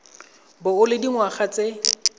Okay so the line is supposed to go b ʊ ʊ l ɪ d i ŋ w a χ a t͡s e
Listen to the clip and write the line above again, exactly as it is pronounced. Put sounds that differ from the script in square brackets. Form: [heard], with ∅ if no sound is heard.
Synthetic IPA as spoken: b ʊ ʊ l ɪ d i ŋ w a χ a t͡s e